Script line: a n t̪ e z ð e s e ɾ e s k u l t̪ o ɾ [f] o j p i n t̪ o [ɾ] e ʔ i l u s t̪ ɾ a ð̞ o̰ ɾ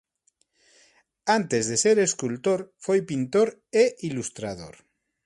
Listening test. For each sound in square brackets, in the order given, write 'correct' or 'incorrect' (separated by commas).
correct, correct